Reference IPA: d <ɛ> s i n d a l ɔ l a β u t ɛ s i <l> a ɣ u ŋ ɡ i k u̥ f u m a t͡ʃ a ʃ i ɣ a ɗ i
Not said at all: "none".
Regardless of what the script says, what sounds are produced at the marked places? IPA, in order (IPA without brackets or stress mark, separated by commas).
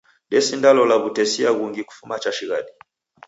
ɛ, none